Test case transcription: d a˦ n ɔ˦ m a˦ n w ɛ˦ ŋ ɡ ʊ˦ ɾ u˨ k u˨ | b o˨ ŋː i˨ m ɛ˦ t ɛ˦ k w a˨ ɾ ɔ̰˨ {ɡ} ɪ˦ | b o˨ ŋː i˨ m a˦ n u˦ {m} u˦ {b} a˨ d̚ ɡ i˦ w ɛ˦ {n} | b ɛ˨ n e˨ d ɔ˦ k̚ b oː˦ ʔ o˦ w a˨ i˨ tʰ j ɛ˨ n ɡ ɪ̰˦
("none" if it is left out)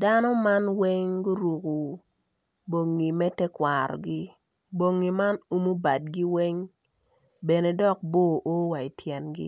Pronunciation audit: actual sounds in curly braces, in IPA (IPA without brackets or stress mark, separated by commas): ɡ, m, b, ŋ